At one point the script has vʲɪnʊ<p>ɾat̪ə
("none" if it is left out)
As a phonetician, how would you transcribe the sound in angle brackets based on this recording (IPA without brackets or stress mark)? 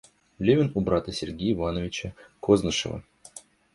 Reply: b